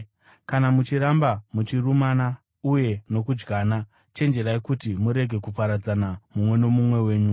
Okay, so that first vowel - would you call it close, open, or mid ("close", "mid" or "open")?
open